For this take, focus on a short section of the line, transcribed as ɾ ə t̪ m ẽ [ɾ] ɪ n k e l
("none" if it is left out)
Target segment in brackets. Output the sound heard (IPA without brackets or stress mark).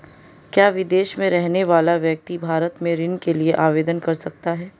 ɾ